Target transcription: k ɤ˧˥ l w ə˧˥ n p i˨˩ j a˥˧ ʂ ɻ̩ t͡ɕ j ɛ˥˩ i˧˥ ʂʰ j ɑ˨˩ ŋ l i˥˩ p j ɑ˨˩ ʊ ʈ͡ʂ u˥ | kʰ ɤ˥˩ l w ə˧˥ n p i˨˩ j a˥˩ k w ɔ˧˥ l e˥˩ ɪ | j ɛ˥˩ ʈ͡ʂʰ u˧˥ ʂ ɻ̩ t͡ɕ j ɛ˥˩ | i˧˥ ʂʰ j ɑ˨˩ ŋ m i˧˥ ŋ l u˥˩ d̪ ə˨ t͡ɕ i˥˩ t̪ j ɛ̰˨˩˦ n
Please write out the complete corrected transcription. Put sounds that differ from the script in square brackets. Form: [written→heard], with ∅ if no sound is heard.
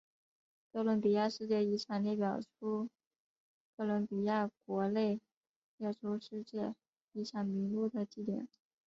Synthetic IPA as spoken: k [ɤ˧˥→ɤ˥˩] l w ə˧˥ n p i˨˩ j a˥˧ ʂ ɻ̩ t͡ɕ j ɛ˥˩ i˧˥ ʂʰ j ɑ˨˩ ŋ l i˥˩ p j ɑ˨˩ ʊ [ʈ͡ʂ→ʈ͡ʂʰ] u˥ | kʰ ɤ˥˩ l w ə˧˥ n p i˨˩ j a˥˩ k w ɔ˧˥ l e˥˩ ɪ | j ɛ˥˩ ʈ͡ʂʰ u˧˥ ʂ ɻ̩ t͡ɕ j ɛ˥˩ | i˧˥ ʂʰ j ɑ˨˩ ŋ m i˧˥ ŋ l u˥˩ d̪ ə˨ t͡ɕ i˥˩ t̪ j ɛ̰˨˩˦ n